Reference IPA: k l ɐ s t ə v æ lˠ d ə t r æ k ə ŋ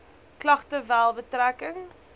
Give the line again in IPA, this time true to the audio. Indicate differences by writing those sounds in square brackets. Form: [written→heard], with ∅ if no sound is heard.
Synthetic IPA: k l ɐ [s→χ] t ə v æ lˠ [d→b] ə t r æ k ə ŋ